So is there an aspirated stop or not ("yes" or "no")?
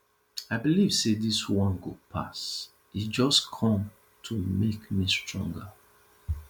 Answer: yes